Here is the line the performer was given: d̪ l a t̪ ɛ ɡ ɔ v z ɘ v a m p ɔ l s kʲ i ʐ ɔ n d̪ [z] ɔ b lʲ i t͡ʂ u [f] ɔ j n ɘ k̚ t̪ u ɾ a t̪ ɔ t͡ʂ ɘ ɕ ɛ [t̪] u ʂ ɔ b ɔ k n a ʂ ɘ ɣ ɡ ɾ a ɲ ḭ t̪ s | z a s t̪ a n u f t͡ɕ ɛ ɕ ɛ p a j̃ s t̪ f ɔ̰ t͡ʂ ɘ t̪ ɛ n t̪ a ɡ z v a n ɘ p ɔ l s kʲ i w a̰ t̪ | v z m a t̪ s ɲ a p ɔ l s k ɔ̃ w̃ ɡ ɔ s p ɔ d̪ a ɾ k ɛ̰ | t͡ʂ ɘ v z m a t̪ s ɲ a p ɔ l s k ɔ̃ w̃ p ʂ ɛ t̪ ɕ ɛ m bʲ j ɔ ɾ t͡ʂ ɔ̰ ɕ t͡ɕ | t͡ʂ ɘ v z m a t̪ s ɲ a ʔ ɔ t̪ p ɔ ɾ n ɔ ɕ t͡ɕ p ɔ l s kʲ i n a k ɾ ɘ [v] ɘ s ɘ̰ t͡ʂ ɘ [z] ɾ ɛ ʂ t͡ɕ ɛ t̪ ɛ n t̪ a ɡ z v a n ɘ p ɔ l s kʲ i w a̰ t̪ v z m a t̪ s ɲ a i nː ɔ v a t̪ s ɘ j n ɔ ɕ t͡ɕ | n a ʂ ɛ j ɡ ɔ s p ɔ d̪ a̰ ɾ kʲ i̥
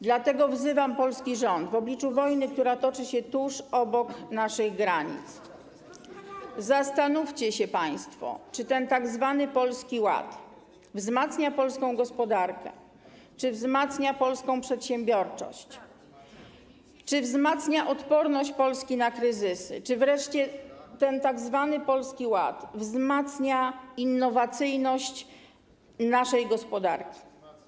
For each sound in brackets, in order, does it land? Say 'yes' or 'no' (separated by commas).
no, no, yes, no, no